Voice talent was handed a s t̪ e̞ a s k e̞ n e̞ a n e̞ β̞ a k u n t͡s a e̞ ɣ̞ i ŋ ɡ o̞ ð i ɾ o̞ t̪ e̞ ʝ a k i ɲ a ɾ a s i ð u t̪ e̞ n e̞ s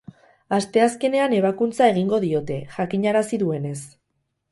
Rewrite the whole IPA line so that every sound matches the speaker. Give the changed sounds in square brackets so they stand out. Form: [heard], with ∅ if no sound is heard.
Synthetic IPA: a s t̪ e̞ a s k e̞ n e̞ a n e̞ β̞ a k u n t͡s a e̞ ɣ̞ i ŋ ɡ o̞ ð i [∅] o̞ t̪ e̞ ʝ a k i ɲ a ɾ a s i ð u [∅] e̞ n e̞ s